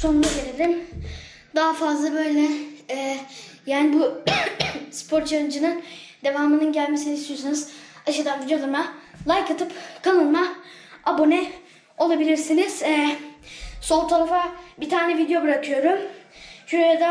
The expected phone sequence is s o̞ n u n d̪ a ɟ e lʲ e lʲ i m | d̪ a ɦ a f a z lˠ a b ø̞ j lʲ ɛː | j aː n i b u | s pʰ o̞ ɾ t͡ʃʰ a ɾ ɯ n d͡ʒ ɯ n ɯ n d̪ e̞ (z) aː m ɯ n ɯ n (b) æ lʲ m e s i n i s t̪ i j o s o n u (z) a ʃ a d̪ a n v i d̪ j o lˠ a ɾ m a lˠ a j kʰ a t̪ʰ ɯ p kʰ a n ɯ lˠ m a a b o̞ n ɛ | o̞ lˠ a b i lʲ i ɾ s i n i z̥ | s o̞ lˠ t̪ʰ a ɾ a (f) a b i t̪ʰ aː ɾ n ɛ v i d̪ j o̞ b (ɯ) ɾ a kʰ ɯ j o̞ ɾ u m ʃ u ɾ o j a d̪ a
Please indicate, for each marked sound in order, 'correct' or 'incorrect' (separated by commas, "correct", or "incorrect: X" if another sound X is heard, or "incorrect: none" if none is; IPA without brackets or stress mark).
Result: incorrect: v, incorrect: ɟ, correct, correct, correct